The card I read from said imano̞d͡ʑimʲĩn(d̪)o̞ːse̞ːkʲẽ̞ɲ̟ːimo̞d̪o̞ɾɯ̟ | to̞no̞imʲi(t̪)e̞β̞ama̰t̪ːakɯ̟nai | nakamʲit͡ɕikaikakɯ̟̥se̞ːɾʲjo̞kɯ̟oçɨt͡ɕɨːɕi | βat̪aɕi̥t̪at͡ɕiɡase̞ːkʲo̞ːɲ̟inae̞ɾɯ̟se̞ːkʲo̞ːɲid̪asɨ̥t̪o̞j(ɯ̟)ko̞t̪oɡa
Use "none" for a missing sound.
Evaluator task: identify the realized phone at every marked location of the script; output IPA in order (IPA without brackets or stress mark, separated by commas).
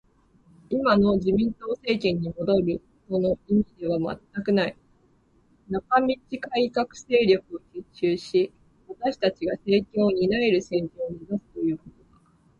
t̪, d̪, ɯ̟ː